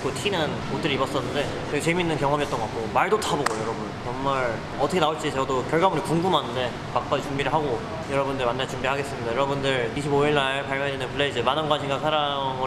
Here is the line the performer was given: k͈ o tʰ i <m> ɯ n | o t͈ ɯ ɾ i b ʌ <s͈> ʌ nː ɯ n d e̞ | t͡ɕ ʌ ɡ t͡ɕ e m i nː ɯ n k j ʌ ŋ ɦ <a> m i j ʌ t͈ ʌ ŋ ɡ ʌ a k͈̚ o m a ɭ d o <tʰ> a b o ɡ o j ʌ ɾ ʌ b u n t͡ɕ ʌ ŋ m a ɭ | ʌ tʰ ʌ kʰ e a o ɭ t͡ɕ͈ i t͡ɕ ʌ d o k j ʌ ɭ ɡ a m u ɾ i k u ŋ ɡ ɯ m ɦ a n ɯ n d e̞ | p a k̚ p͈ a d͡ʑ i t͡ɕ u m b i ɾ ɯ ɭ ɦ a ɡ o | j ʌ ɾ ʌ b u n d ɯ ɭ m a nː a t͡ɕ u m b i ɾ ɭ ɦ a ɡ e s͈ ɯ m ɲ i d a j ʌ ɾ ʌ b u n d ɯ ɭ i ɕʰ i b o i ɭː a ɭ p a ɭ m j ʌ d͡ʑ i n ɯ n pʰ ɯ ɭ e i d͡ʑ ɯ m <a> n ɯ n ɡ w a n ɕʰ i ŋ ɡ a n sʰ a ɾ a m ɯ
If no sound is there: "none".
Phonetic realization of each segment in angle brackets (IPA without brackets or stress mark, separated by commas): n, s͈, ʌ, tʰ, a